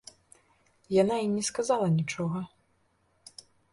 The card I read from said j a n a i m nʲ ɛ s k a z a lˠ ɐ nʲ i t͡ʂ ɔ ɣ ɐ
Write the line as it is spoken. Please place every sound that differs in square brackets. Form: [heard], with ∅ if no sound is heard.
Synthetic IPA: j a n a i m nʲ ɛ s k a z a lˠ ɐ nʲ i t͡ʂ ɔ ɣ ɐ